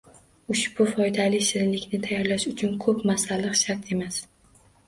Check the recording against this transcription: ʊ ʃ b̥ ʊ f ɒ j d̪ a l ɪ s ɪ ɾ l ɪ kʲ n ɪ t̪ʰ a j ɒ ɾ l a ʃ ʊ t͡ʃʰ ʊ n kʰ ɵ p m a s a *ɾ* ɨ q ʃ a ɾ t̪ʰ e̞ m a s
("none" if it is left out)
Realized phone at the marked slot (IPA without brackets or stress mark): l